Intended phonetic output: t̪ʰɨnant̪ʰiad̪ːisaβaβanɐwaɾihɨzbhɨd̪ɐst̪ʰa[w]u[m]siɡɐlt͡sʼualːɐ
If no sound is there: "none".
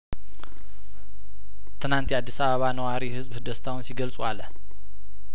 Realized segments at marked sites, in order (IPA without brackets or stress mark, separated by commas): w, n